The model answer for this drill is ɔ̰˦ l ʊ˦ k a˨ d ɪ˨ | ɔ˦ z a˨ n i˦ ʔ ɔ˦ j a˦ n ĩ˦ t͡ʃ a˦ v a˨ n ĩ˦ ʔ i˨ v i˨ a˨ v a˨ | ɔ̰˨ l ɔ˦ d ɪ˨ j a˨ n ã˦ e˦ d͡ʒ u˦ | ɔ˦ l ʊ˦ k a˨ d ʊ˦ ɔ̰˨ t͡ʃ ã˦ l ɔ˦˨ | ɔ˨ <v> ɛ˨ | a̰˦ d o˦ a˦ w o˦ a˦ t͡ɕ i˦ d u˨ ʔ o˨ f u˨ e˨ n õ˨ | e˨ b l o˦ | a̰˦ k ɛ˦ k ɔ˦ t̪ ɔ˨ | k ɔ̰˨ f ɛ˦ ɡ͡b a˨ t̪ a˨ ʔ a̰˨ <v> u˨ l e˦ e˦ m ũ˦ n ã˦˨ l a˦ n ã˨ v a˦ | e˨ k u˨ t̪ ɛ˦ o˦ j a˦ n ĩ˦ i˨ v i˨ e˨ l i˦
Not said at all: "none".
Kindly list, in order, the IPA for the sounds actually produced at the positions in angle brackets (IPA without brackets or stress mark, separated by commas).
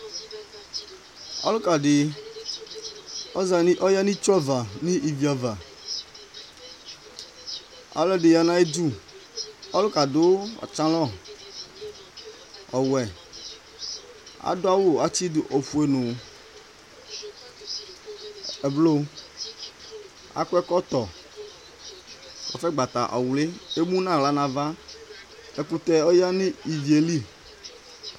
w, w